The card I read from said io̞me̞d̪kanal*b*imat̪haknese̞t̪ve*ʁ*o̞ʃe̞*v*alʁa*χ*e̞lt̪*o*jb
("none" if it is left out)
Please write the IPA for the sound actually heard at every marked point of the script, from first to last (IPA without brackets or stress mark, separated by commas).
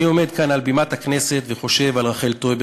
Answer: b, χ, v, χ, o